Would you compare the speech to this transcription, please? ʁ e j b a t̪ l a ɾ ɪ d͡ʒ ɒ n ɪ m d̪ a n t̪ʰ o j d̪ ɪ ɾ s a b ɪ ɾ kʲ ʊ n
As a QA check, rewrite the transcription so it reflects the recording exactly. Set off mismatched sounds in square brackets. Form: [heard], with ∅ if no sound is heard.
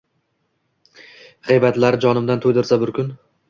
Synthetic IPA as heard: ʁ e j b a t̪ l a ɾ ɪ d͡ʒ ɒ n ɪ m d̪ a n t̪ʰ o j d̪ ɪ ɾ s a b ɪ ɾ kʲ ʊ n